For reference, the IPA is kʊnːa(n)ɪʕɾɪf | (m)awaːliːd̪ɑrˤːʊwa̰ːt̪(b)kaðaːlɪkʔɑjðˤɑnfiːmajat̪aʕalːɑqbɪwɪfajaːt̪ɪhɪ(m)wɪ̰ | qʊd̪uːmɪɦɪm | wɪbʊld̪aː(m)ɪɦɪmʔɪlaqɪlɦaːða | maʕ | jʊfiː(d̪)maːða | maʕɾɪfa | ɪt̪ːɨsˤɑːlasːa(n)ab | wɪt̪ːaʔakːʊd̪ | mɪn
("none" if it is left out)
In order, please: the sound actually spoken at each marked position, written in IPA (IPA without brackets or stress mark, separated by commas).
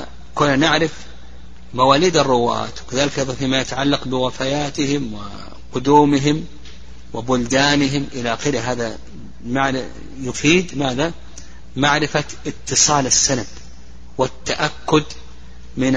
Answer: n, m, w, m, n, d̪, n